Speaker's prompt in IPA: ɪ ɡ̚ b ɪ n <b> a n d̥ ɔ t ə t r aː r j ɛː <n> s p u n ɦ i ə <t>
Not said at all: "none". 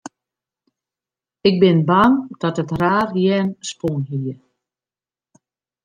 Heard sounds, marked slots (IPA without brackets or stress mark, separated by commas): b, n, none